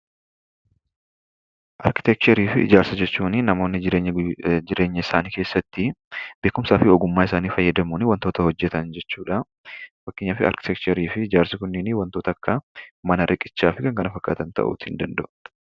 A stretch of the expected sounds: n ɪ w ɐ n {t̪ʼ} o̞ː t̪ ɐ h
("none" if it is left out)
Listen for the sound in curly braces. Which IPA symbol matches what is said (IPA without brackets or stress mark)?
t̪